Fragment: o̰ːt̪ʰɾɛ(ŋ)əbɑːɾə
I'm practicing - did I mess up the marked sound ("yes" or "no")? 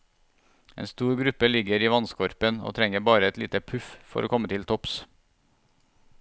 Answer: no